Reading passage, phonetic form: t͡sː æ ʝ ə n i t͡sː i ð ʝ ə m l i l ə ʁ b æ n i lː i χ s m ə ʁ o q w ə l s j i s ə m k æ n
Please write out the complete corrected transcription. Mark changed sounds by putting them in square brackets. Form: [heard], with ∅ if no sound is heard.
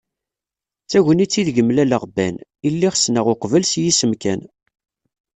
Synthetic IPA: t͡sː æ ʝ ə n i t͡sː i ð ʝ ə m l [æ] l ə ʁ b æ n i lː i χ s [n] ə ʁ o q [v] ə l s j i s ə m k æ n

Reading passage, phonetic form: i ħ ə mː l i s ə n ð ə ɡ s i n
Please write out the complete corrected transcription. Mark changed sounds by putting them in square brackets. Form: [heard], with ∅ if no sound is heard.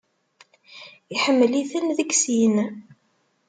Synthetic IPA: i ħ ə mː l i [θ] ə n ð ə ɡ s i n

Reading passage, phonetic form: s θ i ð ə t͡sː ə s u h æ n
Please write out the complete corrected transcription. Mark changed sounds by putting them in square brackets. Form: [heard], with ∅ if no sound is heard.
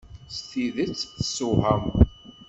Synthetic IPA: s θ i ð ə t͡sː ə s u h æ [m]

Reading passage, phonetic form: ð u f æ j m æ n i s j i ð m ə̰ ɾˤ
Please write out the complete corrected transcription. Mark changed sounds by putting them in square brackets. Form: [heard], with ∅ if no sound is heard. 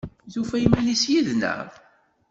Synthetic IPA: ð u f æ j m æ n i s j i ð [n] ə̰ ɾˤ

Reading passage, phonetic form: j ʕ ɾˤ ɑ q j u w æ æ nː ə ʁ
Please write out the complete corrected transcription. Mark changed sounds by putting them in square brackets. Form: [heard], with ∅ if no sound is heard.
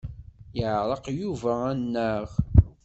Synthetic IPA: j ʕ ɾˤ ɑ q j u [v] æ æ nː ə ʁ

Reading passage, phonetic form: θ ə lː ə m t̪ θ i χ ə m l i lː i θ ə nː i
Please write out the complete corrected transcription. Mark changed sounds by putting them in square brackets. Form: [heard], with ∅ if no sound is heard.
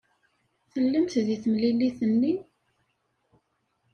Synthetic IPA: θ ə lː ə m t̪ [ð] i [θ] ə m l i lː i θ ə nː i

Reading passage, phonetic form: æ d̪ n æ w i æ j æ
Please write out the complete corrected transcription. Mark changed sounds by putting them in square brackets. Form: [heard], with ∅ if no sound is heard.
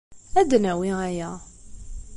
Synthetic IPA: æ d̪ n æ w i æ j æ

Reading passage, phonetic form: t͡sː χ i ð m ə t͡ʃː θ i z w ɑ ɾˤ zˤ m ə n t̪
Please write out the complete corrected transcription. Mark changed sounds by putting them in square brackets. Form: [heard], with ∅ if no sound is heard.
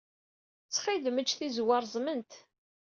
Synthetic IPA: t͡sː χ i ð m ə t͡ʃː θ i z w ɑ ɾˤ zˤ m ə n t̪

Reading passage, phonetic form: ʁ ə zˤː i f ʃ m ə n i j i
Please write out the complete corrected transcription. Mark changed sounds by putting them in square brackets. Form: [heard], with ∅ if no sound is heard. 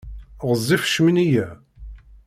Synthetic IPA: ʁ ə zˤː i f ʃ m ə n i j [æ]

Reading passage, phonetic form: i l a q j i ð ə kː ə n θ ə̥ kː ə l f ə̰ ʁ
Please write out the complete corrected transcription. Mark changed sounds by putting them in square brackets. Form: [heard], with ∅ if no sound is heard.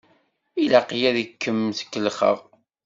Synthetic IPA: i l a q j [æ] ð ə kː ə [m] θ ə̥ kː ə l [χ] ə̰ ʁ

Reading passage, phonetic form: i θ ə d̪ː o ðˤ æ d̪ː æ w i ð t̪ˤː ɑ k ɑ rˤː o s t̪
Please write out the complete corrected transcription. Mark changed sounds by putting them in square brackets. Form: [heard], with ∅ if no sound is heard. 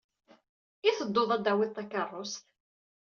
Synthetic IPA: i θ ə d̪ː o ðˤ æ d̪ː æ w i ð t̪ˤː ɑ k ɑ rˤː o s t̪

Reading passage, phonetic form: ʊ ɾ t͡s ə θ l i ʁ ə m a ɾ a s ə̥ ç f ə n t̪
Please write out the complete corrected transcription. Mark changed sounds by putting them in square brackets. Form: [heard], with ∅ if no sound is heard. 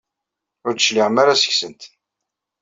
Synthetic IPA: ʊ ɾ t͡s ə [ʃ] l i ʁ ə m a ɾ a s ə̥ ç [s] ə n t̪

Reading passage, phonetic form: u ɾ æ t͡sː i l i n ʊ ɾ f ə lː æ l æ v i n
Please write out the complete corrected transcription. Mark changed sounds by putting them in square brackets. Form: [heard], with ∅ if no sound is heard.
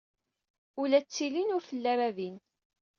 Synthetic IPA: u [l] æ t͡sː i l i n ʊ ɾ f ə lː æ [ɾ] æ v i n

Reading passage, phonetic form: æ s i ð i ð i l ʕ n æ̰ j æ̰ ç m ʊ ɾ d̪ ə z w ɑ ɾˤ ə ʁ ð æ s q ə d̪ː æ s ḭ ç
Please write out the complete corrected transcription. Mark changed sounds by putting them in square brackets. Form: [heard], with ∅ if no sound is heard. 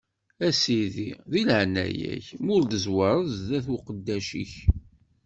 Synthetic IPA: æ s i ð i ð i l ʕ n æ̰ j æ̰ ç m ʊ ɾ d̪ ə z w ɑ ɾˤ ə [ð] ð æ [θ] q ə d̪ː æ [ʃ] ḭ ç

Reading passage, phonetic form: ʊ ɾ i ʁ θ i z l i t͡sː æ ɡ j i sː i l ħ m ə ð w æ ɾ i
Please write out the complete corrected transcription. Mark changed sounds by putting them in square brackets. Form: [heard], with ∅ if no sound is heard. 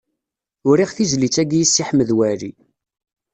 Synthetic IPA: ʊ ɾ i ʁ θ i z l i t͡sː æ ɡ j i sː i [∅] ħ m ə ð w æ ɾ i

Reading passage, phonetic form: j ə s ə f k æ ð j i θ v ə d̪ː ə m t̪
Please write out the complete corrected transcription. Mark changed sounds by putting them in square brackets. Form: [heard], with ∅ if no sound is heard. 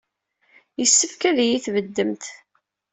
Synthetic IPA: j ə [sː] ə f k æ ð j i θ v ə d̪ː ə m t̪

